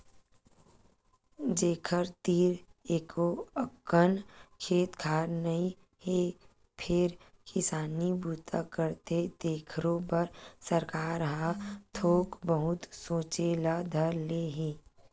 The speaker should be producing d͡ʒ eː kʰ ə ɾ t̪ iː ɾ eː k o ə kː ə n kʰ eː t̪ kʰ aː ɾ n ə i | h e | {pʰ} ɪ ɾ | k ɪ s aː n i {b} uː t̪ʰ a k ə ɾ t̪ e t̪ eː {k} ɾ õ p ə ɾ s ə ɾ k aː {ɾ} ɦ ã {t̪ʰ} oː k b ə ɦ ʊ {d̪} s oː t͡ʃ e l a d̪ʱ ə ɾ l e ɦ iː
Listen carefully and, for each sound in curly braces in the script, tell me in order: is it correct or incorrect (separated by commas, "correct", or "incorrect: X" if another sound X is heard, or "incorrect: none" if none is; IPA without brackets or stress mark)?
correct, correct, incorrect: kʰ, correct, correct, incorrect: t̪